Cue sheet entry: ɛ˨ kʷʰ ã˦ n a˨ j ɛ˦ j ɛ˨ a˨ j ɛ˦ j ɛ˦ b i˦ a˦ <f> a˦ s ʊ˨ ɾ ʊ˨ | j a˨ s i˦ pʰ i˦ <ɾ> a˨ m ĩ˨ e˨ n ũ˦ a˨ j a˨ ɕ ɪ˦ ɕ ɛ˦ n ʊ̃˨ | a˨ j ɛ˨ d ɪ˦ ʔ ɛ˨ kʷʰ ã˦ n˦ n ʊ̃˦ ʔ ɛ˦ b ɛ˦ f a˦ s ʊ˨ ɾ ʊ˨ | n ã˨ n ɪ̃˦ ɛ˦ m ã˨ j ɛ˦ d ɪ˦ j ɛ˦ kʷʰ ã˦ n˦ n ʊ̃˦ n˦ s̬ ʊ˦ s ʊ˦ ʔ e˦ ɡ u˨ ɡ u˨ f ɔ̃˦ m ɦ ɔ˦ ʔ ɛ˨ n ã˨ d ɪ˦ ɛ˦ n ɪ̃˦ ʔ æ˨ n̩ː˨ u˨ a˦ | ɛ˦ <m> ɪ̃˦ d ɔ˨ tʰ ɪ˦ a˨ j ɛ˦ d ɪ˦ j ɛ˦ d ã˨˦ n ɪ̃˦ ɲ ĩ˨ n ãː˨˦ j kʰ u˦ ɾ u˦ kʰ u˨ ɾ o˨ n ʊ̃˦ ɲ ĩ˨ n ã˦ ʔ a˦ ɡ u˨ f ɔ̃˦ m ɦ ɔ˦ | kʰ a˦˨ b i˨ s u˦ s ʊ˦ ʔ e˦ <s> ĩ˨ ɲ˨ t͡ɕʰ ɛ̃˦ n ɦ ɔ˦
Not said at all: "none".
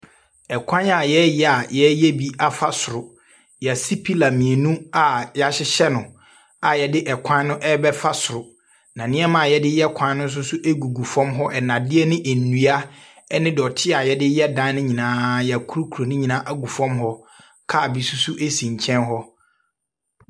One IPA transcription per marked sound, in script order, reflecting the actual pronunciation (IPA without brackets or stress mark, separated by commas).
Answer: f, l, n, s